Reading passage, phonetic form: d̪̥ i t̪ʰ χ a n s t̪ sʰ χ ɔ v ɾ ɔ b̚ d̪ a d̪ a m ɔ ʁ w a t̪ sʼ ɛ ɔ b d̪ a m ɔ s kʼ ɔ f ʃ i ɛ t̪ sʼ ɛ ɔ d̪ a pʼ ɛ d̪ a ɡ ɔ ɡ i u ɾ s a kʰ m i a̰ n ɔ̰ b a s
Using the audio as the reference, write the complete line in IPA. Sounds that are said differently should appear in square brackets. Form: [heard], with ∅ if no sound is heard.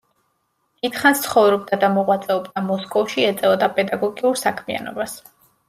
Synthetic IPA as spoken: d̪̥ i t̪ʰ χ a n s t̪ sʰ χ ɔ v ɾ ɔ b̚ d̪ a d̪ a m ɔ ʁ w a t̪ sʼ ɛ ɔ b d̪ a m ɔ s kʼ ɔ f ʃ i ɛ t̪ sʼ ɛ ɔ d̪ a pʼ ɛ d̪ a ɡ ɔ ɡ i u ɾ s a kʰ m i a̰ n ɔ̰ b a s